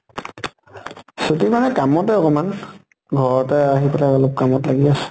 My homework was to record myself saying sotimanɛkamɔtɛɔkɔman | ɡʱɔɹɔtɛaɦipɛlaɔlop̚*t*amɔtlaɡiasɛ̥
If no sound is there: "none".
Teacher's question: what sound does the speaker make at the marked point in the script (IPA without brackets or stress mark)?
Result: k